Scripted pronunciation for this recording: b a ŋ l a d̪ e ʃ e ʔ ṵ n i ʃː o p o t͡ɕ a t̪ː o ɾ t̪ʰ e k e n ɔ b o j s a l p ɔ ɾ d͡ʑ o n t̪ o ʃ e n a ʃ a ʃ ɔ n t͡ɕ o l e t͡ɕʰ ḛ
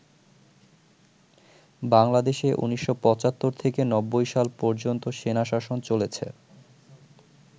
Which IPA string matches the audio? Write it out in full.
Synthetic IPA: b a ŋ l a d̪ e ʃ e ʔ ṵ n i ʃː o p ɔ t͡ɕ a t̪ː o ɾ t̪ʰ e k e n ɔ bː o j ʃ a l p ɔ ɾ d͡ʑ o n t̪ o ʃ e n a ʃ a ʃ o n t͡ɕ o l e t͡ɕʰ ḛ